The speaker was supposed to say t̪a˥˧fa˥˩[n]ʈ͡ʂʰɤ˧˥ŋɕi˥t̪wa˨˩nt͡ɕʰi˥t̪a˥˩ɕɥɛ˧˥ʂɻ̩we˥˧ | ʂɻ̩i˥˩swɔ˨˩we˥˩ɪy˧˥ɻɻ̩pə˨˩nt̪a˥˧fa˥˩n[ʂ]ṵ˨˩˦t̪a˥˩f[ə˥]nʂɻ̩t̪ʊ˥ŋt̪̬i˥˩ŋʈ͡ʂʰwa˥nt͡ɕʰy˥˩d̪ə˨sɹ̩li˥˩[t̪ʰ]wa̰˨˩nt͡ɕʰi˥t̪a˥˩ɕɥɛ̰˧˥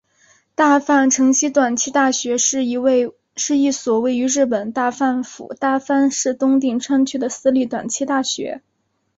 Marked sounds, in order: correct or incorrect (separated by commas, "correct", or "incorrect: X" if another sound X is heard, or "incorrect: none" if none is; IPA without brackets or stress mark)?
correct, incorrect: f, incorrect: a˥, incorrect: t̪